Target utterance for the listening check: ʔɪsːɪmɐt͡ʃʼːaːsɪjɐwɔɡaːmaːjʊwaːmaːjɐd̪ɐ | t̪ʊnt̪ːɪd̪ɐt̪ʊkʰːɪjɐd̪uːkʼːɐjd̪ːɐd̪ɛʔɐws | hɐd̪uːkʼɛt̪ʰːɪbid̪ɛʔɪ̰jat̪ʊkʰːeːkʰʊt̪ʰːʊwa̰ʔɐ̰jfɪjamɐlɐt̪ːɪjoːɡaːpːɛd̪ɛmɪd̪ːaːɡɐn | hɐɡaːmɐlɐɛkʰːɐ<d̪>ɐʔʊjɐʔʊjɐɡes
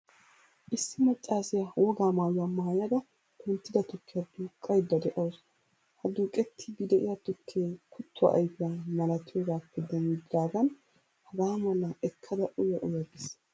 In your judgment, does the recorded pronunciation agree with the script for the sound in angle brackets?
yes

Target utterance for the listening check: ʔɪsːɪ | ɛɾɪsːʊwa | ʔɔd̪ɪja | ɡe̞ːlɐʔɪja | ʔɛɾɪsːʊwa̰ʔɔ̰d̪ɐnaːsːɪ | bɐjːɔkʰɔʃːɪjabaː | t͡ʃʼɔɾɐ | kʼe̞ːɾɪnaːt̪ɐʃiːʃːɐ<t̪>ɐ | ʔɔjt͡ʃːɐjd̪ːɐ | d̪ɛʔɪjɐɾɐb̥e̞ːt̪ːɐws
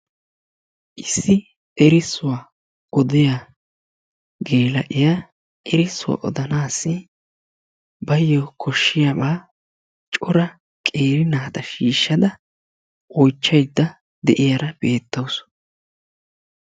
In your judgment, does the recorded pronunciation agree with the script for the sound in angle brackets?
no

